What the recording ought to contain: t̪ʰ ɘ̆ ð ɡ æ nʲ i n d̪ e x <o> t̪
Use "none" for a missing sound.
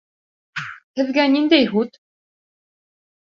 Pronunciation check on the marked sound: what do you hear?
u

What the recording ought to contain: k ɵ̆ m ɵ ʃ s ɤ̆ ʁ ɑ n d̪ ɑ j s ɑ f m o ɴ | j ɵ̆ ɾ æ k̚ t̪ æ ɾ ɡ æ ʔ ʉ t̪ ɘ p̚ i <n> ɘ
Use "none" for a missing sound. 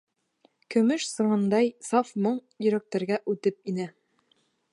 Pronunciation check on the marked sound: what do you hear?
n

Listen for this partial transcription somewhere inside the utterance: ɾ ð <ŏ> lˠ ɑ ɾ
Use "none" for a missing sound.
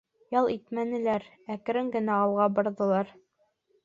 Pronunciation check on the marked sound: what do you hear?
ɤ̆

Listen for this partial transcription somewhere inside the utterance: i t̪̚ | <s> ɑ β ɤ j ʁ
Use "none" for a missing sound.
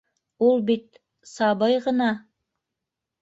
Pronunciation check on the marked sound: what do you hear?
s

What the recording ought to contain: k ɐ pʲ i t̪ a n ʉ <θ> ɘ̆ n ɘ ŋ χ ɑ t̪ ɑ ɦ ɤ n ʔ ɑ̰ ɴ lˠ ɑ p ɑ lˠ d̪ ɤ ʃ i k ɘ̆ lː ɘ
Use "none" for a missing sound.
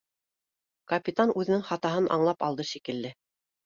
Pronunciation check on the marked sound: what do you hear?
ð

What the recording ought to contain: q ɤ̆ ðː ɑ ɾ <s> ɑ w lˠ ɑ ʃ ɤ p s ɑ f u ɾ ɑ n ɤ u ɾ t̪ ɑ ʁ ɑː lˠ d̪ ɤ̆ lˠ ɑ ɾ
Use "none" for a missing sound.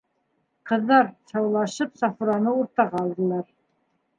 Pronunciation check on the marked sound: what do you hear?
s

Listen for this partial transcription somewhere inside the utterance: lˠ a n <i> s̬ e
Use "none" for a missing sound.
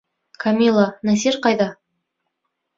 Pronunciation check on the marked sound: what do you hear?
æ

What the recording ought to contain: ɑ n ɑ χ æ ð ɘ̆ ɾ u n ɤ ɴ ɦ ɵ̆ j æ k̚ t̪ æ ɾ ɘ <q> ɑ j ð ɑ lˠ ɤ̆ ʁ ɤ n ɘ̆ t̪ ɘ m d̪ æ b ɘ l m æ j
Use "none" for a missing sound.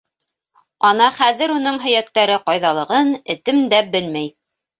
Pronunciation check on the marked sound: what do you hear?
q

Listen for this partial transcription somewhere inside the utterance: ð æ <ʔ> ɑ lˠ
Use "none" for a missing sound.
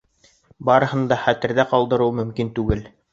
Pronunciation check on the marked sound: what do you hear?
q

